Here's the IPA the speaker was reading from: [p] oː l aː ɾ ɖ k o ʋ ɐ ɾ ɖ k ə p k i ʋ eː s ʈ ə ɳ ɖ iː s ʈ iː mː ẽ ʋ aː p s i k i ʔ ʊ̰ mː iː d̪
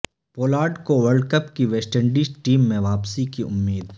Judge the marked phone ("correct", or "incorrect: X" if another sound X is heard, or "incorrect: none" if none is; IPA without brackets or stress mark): correct